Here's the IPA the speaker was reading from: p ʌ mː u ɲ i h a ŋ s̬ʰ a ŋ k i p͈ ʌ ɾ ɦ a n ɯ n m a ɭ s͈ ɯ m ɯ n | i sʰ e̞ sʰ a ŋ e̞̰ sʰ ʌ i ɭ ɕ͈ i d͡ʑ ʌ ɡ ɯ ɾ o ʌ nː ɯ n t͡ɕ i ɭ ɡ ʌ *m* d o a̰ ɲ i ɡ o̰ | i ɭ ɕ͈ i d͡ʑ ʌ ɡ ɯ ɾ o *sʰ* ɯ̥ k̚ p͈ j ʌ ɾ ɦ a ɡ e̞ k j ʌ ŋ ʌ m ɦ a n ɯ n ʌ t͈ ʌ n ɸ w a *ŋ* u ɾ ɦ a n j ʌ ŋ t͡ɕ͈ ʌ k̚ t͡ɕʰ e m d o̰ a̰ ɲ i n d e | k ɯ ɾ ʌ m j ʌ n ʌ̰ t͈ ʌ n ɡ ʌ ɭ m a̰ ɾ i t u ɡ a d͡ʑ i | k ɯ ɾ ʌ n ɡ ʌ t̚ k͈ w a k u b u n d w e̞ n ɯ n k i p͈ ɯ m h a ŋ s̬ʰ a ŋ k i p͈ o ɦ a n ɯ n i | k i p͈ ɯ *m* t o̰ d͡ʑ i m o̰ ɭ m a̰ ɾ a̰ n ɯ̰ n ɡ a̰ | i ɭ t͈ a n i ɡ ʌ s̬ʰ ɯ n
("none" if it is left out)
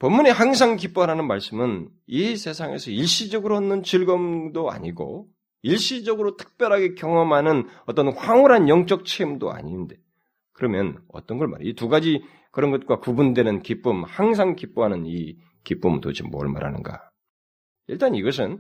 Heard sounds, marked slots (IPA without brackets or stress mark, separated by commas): m, tʰ, ŋ, m